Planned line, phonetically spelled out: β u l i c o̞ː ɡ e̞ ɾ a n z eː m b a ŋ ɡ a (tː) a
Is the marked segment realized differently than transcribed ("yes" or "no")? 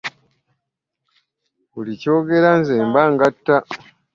no